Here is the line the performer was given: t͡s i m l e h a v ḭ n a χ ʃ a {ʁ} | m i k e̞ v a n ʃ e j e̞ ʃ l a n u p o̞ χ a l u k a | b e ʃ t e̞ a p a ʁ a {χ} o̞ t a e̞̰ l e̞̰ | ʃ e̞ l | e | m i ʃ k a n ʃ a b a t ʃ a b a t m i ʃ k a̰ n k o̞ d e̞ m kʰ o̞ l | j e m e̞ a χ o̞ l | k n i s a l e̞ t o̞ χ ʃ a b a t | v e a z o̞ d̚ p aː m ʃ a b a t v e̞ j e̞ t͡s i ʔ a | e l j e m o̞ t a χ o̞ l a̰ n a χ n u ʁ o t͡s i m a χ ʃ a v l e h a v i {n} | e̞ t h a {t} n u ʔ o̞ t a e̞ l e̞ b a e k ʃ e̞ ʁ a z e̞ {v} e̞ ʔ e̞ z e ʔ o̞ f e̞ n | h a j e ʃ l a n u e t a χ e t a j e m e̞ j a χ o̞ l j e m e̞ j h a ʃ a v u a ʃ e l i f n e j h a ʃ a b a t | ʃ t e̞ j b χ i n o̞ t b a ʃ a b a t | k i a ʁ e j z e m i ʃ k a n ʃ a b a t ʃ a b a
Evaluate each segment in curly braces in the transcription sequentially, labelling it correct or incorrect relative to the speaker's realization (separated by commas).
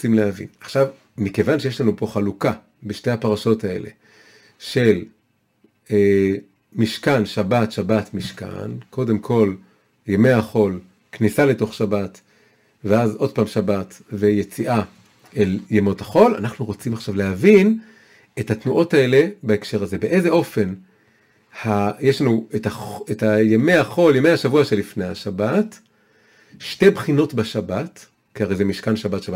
incorrect, incorrect, correct, correct, incorrect